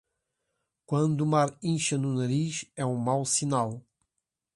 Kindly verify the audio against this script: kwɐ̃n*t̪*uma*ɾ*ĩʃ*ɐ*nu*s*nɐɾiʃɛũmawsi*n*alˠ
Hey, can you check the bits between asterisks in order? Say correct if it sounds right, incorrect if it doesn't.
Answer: incorrect, correct, correct, incorrect, correct

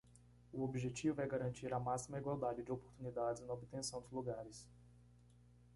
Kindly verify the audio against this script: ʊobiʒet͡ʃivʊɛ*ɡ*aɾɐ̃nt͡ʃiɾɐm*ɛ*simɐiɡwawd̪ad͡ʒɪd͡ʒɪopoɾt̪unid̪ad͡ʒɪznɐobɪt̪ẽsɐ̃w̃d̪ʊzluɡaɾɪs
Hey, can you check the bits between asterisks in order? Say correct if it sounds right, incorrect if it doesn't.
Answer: correct, incorrect

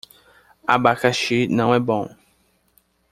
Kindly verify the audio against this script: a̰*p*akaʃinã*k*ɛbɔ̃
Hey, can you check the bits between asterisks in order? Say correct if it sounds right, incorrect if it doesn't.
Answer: incorrect, incorrect

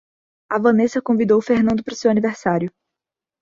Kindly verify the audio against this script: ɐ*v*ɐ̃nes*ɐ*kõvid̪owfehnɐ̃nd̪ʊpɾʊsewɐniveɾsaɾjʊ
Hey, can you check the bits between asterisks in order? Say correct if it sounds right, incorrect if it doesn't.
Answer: correct, correct

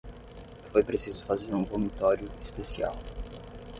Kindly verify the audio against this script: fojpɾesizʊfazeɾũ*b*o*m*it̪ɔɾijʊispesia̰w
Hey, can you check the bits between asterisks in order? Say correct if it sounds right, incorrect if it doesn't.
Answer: correct, correct

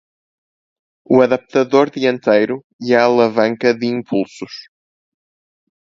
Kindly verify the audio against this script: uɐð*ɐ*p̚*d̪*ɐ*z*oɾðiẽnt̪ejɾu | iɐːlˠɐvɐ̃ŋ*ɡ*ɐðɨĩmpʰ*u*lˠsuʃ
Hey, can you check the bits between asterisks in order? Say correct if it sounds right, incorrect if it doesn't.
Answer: correct, incorrect, incorrect, incorrect, correct

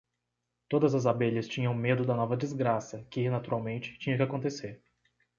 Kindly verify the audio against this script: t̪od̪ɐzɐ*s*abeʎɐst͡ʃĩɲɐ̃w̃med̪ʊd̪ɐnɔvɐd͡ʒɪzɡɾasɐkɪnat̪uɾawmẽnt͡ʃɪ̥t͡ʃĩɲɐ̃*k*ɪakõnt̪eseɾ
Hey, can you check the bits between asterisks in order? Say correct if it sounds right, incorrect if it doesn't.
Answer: incorrect, correct

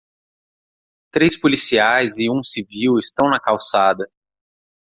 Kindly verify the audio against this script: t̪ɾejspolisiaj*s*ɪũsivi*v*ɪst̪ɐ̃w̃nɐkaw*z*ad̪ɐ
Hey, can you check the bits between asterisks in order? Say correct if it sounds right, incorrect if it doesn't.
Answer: incorrect, incorrect, incorrect

